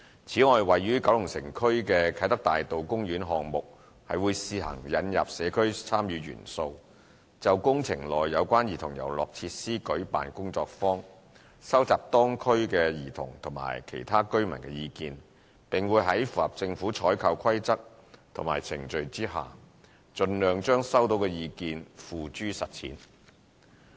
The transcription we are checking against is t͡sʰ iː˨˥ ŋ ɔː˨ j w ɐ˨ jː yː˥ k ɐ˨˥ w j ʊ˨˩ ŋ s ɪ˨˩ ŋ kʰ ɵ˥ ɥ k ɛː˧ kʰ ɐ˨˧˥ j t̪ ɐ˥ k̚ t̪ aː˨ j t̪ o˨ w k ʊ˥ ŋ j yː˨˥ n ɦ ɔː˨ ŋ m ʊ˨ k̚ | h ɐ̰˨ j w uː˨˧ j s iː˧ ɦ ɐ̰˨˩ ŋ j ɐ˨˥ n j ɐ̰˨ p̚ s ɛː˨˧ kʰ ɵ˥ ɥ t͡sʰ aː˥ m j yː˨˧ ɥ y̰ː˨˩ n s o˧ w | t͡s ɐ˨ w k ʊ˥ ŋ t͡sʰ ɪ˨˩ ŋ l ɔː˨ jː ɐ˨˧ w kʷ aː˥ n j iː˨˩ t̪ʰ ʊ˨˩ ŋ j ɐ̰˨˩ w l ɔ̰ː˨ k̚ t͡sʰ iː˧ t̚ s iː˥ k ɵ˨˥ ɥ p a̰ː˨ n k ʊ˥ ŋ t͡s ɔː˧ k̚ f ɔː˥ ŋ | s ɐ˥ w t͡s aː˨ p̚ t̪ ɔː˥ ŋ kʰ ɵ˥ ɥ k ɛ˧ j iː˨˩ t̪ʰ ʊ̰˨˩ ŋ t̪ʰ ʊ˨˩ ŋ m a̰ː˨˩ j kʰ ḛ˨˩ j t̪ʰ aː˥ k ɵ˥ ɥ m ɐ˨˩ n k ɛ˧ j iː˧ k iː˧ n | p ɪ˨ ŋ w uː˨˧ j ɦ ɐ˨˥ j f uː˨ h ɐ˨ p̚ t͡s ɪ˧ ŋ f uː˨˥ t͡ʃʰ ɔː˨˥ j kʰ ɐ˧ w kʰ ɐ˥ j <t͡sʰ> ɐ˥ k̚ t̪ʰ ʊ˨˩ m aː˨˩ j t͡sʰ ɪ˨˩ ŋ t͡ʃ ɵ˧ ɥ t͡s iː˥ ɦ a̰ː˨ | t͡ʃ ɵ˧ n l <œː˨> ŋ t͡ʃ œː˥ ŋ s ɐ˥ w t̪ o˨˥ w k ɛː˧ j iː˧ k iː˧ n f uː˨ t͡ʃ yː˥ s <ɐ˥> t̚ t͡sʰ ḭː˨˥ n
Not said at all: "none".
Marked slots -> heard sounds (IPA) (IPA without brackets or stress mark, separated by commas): t͡s, œː˨, ɐ˨